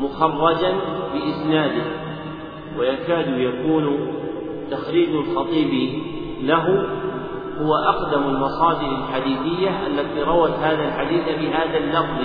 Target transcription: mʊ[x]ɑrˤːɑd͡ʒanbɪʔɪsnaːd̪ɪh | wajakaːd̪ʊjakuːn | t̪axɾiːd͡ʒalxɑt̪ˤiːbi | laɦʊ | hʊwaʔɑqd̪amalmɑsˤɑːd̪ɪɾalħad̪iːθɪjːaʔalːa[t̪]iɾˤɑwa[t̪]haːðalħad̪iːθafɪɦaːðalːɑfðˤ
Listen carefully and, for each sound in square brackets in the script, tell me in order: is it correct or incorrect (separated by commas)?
correct, correct, correct